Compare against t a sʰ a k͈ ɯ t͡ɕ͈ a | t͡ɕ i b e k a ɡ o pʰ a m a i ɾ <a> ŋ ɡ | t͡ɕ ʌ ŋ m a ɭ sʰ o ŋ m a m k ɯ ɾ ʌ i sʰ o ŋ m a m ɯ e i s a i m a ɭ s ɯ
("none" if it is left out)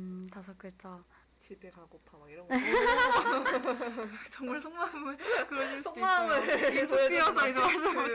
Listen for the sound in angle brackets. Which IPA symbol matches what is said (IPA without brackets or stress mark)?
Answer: ʌ